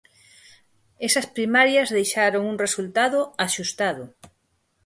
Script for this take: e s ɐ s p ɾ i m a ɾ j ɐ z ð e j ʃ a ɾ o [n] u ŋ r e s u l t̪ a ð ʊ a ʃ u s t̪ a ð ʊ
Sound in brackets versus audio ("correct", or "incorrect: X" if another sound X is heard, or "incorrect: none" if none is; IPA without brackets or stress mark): incorrect: ŋ